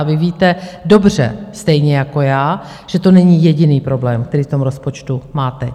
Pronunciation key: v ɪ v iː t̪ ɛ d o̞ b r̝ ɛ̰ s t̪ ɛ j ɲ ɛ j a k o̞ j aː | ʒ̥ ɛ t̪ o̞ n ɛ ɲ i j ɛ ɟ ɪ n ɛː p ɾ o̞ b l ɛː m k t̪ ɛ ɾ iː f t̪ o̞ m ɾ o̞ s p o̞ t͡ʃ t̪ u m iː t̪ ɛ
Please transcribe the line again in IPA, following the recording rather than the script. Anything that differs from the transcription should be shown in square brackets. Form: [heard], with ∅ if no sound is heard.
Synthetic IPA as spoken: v ɪ v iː t̪ ɛ d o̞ b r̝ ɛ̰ s t̪ ɛ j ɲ ɛ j a k o̞ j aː | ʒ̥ ɛ t̪ o̞ n ɛ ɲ i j ɛ ɟ ɪ n [iː] p ɾ o̞ b l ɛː m k t̪ ɛ ɾ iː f t̪ o̞ m ɾ o̞ s p o̞ t͡ʃ t̪ u m [aː] t̪ ɛ